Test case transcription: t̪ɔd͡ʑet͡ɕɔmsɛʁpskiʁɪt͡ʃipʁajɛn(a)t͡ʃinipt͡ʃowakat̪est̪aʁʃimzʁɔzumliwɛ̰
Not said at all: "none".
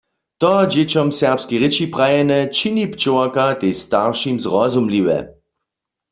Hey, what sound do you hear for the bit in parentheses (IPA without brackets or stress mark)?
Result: ɛ